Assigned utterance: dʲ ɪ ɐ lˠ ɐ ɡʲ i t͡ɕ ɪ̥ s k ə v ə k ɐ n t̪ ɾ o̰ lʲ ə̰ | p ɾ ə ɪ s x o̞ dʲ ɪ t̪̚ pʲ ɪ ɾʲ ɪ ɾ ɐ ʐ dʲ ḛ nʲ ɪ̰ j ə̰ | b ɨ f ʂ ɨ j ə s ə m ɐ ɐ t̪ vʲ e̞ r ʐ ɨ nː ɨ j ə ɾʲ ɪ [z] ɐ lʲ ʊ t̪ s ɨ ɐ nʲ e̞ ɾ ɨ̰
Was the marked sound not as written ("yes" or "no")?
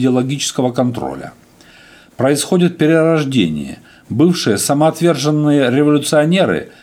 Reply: yes